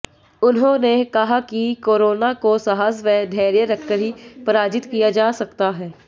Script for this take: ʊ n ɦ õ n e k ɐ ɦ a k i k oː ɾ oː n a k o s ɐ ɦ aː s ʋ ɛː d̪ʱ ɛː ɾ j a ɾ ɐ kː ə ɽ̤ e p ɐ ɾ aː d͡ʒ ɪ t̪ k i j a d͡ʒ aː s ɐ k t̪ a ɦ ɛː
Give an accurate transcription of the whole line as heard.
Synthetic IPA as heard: ʊ n ɦ õ n e k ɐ ɦ a k i k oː ɾ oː n a k o s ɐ ɦ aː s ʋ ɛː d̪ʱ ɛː ɾ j ə ɾ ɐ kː ə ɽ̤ i p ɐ ɾ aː d͡ʒ ɪ t̪ k i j a d͡ʒ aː s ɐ k t̪ a ɦ ɛː